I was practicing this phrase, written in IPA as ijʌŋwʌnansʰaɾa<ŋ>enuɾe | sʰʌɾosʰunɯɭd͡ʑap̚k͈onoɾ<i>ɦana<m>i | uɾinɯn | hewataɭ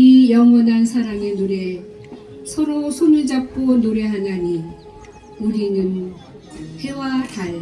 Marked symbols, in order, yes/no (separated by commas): yes, no, no